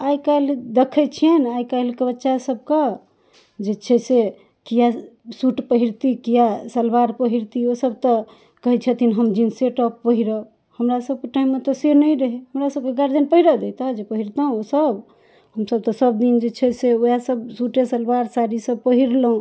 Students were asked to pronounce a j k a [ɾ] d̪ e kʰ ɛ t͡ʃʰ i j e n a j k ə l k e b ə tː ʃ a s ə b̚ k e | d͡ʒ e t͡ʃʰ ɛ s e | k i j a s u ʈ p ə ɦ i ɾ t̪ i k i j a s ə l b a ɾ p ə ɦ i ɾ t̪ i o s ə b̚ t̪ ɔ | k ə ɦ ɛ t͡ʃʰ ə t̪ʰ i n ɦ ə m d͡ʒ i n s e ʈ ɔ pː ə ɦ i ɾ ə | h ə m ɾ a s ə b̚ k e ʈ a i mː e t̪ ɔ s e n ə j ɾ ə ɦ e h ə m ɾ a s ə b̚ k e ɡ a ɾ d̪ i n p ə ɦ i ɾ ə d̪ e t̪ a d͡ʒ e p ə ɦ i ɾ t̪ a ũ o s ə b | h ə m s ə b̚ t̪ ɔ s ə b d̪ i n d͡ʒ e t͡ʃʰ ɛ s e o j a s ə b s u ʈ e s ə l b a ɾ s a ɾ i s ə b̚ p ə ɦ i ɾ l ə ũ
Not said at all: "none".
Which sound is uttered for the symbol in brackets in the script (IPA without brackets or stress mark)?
l